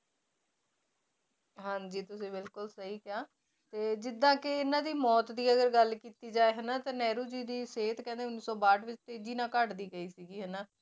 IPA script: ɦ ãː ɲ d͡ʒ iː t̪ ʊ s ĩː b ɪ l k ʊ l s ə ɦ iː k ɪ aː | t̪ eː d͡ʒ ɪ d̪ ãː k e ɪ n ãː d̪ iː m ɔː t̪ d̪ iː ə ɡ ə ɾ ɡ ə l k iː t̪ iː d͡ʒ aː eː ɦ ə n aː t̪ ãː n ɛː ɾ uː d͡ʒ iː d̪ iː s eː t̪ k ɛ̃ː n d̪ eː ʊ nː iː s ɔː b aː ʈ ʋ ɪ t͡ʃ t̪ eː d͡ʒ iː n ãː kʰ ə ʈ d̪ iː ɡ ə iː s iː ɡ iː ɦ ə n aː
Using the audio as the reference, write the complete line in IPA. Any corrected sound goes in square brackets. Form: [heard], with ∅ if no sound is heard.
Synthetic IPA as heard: ɦ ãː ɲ d͡ʒ iː t̪ ʊ s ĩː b ɪ l k ʊ l s ə ɦ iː k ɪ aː | t̪ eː d͡ʒ ɪ d̪ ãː k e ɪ n ãː d̪ iː m ɔː t̪ d̪ iː ə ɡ ə ɾ ɡ ə l k iː t̪ iː d͡ʒ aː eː ɦ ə n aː t̪ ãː n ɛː ɾ uː d͡ʒ iː d̪ iː s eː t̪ k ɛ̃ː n d̪ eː ʊ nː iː s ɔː b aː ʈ ʋ ɪ t͡ʃ t̪ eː d͡ʒ iː n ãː [k] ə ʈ d̪ iː ɡ ə iː s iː ɡ iː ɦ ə n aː